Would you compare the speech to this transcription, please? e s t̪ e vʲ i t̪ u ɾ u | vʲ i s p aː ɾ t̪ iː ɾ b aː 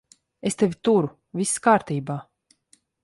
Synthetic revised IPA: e s t̪ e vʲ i t̪ u ɾ u | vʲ i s k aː ɾ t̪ iː b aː